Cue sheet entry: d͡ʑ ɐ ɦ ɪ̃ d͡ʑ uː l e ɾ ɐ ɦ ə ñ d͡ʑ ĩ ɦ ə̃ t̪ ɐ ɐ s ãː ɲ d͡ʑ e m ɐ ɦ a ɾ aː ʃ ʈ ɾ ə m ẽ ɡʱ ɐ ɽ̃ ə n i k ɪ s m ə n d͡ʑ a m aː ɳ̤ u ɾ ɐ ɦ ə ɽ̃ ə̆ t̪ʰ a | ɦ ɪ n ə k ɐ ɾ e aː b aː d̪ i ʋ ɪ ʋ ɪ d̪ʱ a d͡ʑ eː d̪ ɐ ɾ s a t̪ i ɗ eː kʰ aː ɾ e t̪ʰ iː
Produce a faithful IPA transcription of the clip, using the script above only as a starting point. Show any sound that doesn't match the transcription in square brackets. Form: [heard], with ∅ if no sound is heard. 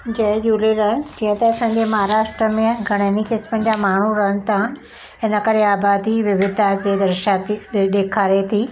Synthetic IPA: d͡ʑ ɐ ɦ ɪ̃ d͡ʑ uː l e ɾ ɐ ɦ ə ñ d͡ʑ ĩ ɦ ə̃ t̪ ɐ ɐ s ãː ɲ d͡ʑ e m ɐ ɦ a ɾ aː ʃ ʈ ɾ ə m ẽ ɡʱ ɐ ɽ̃ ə n i k ɪ s m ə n d͡ʑ a m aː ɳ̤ u ɾ ɐ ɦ ə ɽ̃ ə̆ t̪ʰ a | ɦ ɪ n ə k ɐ ɾ e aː b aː d̪ i ʋ ɪ ʋ ɪ d̪ʱ a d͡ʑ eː d̪ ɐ ɾ [ʃ] a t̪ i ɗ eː kʰ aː ɾ e t̪ʰ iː